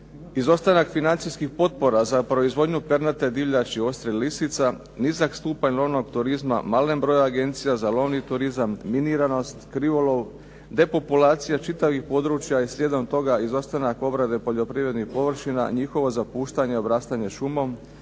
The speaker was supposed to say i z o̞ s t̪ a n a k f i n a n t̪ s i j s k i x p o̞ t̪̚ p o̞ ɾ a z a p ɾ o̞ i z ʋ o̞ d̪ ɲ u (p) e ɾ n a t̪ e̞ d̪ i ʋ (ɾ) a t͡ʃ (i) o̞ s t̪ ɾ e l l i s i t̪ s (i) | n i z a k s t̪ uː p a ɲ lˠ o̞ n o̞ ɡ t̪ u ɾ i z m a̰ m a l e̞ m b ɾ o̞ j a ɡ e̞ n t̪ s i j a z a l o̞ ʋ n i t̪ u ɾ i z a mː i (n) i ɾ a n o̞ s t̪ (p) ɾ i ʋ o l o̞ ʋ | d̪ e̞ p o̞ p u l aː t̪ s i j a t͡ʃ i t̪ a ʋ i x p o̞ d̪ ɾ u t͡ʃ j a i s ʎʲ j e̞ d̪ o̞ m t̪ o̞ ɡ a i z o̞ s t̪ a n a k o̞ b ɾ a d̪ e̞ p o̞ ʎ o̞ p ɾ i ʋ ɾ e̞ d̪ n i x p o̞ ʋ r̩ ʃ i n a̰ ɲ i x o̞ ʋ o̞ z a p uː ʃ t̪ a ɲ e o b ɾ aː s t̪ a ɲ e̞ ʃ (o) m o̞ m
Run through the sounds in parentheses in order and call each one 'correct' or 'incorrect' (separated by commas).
correct, incorrect, correct, incorrect, correct, incorrect, incorrect